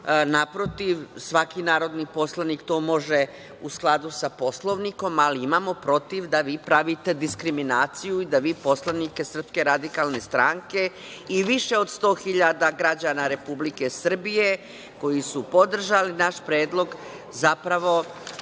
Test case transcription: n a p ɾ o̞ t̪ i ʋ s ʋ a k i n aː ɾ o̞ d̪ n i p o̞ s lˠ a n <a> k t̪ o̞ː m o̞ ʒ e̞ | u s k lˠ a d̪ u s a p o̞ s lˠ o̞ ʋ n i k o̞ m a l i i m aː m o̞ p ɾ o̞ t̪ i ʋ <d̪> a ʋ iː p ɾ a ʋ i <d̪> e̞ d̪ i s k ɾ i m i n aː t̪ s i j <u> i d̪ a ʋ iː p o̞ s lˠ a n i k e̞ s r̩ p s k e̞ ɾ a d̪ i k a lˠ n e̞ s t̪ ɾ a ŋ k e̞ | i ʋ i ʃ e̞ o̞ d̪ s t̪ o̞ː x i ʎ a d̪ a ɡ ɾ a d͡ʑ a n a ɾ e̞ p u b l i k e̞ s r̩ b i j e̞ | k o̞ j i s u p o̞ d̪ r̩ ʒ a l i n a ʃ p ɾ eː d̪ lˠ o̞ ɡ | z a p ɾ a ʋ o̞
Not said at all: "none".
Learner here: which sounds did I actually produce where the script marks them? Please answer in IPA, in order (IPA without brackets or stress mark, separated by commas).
i, d̪, t̪, u